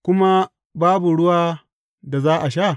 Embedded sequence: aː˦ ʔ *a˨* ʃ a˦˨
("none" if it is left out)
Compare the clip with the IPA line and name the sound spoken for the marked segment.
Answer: a˨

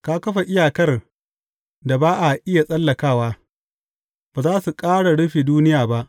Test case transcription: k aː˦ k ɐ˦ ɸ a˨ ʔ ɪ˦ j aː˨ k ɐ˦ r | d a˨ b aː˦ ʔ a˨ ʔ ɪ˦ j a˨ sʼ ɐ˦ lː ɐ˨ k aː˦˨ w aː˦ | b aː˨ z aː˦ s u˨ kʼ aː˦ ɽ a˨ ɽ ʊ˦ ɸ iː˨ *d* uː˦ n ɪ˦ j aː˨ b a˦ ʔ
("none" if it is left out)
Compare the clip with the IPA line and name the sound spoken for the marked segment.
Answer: d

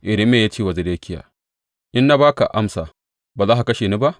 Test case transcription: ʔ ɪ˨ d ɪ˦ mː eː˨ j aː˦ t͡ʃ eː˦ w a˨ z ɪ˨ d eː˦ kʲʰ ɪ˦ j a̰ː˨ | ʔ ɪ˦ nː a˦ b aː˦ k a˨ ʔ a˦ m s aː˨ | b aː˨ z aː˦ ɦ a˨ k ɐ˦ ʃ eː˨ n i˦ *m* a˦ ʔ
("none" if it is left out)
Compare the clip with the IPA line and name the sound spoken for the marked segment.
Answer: b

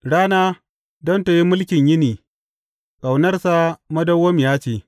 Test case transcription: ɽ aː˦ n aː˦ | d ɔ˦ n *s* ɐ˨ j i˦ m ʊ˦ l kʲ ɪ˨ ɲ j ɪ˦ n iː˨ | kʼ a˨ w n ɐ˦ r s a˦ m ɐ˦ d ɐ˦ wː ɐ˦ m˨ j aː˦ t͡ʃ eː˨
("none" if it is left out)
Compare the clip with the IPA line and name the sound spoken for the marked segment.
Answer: t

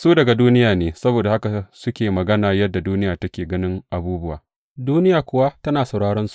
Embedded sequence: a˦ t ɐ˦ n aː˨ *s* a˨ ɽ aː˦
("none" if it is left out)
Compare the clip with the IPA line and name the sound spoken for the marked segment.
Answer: s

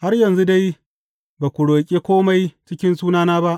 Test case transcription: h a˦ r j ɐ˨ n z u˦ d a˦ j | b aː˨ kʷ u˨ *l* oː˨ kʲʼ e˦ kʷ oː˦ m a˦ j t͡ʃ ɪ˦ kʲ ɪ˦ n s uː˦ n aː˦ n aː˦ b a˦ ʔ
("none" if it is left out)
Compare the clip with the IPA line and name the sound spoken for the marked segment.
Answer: ɽ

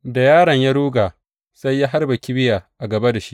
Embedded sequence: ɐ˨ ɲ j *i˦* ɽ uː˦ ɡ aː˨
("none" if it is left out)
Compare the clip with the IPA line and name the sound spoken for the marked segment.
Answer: a˦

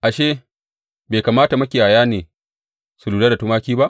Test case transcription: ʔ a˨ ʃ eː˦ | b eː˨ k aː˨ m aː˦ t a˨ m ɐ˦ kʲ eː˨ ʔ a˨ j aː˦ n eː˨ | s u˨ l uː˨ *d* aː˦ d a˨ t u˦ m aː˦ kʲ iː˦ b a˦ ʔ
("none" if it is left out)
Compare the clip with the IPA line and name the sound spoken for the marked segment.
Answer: d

